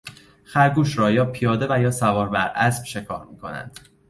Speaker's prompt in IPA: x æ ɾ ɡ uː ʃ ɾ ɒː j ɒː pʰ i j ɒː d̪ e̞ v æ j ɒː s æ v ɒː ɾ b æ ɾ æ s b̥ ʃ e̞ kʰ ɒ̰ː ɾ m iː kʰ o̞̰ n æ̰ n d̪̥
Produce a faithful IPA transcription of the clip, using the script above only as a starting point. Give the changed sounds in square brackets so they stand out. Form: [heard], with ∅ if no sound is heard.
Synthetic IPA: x æ ɾ ɡ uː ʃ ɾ ɒː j ɒː pʰ i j ɒː d̪ e̞ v æ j ɒː s æ v ɒː ɾ b æ ɾ æ s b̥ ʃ e̞ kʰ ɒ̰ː ɾ m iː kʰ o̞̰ n æ̰ n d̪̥